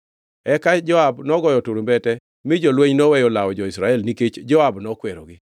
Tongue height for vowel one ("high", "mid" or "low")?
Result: mid